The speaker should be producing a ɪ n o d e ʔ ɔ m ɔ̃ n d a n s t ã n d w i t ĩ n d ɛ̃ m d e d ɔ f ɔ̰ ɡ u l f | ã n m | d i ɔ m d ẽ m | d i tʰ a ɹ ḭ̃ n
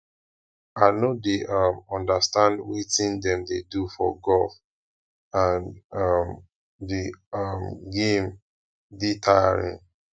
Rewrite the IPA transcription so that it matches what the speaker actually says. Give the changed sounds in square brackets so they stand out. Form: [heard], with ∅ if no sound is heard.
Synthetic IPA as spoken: a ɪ n o d e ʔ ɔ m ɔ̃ n d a [∅] s t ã n d w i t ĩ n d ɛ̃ m d e d [u] f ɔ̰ ɡ [ɔ] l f | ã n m | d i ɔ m [ɡ] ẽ m | d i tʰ a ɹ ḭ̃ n